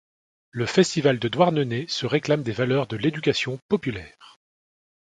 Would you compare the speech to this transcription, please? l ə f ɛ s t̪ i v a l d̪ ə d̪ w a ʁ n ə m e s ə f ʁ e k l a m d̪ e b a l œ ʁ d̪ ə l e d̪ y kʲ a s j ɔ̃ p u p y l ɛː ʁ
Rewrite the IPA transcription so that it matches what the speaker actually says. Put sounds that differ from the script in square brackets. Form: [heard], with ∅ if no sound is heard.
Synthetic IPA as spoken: l ə f ɛ s t̪ i v a l d̪ ə d̪ w a ʁ n ə [n] e s ə [∅] ʁ e k l a m d̪ e [v] a l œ ʁ d̪ ə l e d̪ y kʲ a s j ɔ̃ p [ɔ] p y l ɛː ʁ

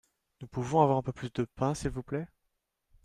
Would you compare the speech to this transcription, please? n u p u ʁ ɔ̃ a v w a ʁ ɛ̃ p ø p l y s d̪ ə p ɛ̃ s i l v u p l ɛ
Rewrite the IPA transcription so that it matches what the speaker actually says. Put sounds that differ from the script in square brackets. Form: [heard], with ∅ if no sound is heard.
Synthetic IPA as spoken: n u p u [v] ɔ̃ a v w a ʁ ɛ̃ p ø p l y s d̪ ə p ɛ̃ s i l v u p l ɛ

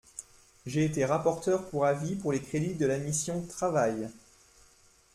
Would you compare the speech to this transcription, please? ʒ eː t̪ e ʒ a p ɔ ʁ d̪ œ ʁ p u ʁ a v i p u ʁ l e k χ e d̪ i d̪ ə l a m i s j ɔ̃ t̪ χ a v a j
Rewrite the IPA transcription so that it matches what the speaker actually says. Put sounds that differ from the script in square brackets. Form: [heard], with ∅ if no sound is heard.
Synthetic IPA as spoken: ʒ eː t̪ e [ʁ] a p ɔ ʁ [t̪] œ ʁ p u ʁ a v i p u ʁ l e k χ e d̪ i d̪ ə l a m i s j ɔ̃ t̪ χ a v a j

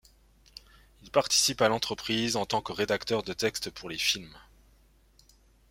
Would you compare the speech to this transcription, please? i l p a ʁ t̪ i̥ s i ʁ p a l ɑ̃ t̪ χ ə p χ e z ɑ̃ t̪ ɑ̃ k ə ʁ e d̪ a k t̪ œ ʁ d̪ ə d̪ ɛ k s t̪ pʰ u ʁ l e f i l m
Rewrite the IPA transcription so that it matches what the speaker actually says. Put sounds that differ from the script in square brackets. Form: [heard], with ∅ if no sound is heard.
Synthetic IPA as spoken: i l p a ʁ t̪ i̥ s i [∅] p a l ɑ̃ t̪ χ ə p χ [i] z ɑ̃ t̪ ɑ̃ k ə ʁ e d̪ a k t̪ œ ʁ d̪ ə [t̪] ɛ k s t̪ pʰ u ʁ l e f i l m

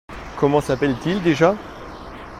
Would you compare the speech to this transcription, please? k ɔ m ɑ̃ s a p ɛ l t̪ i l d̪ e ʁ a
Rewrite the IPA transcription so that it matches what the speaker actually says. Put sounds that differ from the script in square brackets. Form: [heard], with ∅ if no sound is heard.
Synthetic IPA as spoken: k ɔ m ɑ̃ s a p ɛ l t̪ i l d̪ e [ʒ] a

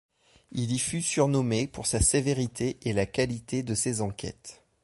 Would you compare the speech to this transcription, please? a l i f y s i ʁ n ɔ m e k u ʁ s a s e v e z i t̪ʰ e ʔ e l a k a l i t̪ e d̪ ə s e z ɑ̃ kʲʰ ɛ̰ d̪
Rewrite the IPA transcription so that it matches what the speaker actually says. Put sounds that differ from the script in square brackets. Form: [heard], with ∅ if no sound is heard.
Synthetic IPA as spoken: [i] l i f y s [y] ʁ n ɔ m e [p] u ʁ s a s e v e [ʁ] i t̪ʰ e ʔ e l a k a l i t̪ e d̪ ə s e z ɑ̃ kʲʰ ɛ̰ [t̪]

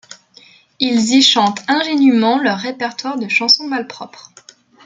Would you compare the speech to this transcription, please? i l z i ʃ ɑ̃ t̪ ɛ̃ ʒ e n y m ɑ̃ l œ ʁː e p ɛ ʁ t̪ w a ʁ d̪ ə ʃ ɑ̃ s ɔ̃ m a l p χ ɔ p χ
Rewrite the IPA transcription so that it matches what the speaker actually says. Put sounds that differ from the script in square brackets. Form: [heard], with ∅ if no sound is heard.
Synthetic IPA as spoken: i l z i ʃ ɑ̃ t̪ ɛ̃ ʒ e n y m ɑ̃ l œ ʁː e p ɛ ʁ t̪ w a ʁ d̪ ə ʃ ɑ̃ s ɔ̃ m a l p χ ɔ p χ

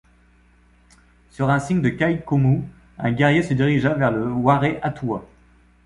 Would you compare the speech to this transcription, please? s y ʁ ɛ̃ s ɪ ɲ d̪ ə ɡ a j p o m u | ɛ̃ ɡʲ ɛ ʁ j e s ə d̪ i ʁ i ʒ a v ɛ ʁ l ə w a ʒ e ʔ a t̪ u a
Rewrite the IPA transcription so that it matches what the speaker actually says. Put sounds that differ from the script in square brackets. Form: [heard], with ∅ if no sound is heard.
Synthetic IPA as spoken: s y ʁ ɛ̃ s [i] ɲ d̪ ə [k] a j [k] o m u | ɛ̃ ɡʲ ɛ ʁ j e s ə d̪ i ʁ i ʒ a v ɛ ʁ l ə w a [ʁ] e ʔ a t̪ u a

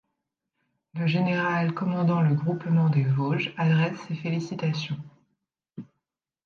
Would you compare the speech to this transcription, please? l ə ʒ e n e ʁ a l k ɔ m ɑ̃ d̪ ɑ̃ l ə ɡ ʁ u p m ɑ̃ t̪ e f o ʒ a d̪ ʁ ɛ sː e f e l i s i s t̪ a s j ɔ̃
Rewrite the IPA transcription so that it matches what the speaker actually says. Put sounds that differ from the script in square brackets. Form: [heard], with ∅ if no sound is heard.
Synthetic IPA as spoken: l ə ʒ e n e ʁ a l k ɔ m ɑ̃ d̪ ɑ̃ l ə ɡ ʁ u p m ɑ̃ [d̪] e [v] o ʒ a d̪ ʁ ɛ sː e f e l i s i [∅] t̪ a s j ɔ̃

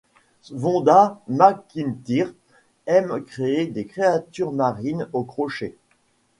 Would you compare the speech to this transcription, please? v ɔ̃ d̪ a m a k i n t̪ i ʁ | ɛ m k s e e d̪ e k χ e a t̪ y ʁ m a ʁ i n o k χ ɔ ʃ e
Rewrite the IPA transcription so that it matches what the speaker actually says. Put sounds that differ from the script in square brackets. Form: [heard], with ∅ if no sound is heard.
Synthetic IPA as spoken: v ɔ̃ d̪ a m a k i n t̪ i ʁ | ɛ m k [χ] e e d̪ e k χ e a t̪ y ʁ m a ʁ i n o k χ ɔ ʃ e

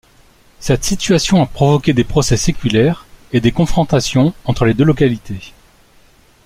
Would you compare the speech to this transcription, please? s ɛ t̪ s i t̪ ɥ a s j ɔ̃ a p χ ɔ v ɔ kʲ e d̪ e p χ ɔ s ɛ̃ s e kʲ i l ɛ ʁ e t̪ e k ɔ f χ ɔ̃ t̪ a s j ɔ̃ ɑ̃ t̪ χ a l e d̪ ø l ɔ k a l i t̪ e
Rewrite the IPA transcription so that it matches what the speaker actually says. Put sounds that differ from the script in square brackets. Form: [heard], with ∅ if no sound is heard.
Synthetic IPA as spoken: s ɛ t̪ s i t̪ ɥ a s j ɔ̃ a p χ ɔ v ɔ kʲ e d̪ e p χ ɔ s [ɛ] s e kʲ [y] l ɛ ʁ e [d̪] e k [ɔ̃] f χ ɔ̃ t̪ a s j ɔ̃ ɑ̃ t̪ χ [ə] l e d̪ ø l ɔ k a l i t̪ e

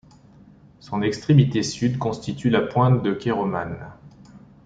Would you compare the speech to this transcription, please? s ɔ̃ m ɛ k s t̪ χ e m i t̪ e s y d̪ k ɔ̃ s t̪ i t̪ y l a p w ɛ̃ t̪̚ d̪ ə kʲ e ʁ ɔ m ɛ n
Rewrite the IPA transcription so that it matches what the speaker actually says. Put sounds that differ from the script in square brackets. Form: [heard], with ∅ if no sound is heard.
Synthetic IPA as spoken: s ɔ̃ [n] ɛ k s t̪ χ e m i t̪ e s y d̪ k ɔ̃ s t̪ i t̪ y l a p w ɛ̃ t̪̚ d̪ ə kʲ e ʁ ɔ m [a] n

